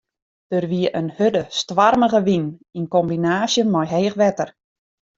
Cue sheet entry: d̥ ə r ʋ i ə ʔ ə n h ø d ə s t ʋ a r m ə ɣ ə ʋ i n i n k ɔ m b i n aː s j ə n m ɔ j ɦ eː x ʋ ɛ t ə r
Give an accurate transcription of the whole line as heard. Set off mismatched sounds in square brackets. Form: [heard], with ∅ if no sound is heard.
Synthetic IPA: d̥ ə r ʋ i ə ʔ ə n h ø d ə s t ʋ a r m ə ɣ ə ʋ i n i n k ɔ m b i n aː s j ə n m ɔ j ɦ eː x ʋ ɛ t ə r